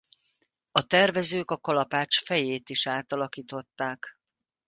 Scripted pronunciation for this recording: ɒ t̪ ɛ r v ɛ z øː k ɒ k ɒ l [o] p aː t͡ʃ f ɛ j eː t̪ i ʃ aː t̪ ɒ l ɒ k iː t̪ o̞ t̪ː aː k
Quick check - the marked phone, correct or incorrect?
incorrect